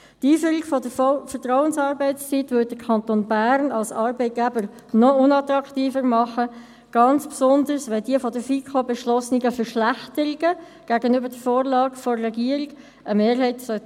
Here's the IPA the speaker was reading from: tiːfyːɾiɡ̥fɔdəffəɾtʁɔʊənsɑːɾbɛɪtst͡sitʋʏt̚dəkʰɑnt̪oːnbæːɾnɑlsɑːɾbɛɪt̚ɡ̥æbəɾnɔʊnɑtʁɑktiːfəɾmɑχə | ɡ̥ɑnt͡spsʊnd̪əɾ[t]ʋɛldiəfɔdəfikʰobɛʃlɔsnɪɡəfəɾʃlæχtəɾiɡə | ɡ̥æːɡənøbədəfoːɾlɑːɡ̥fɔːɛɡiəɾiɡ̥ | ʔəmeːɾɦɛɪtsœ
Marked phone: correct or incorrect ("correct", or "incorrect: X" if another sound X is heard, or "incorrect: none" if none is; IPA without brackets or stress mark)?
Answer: incorrect: s